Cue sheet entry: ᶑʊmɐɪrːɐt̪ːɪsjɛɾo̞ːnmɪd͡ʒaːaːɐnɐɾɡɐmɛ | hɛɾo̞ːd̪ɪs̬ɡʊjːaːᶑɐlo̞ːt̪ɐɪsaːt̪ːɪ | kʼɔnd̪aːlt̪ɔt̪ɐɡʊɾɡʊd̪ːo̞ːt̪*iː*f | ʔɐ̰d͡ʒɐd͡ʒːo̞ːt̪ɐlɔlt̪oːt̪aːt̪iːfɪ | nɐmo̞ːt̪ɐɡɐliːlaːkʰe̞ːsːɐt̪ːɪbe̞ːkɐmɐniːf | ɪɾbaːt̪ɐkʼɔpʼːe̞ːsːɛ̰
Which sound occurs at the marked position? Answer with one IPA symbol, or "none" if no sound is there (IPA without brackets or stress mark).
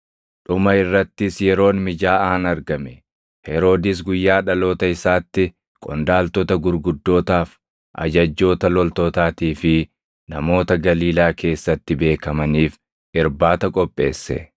aː